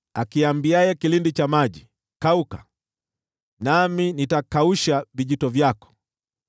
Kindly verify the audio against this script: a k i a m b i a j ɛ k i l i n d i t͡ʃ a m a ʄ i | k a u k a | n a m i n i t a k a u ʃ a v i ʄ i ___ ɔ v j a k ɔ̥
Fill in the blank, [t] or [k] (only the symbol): t